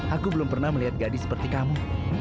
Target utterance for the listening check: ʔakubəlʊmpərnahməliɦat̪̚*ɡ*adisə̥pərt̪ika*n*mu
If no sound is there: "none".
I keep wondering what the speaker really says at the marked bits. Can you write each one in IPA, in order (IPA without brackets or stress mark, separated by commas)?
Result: ɡ, none